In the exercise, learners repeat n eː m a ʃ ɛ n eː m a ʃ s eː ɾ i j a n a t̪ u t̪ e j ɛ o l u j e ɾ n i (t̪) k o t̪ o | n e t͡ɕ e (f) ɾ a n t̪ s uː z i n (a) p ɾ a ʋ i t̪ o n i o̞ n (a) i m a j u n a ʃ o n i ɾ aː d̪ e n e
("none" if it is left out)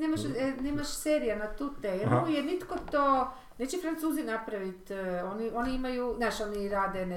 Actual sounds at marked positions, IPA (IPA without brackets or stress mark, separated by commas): t̪, f, a, i